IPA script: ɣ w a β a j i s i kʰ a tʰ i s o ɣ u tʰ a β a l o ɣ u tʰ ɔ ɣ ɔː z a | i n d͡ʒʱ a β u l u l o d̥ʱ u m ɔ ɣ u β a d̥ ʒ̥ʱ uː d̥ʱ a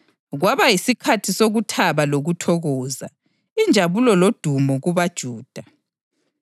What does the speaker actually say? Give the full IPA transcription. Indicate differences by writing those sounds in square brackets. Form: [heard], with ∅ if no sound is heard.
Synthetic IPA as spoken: ɣ w a β a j i s i kʰ a tʰ i s o ɣ u tʰ a β a l o ɣ u tʰ ɔ ɣ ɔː z a | i n d͡ʒʱ a β u l [ɔ] l o d̥ʱ u m ɔ ɣ u β a d̥ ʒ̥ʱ uː d̥ʱ a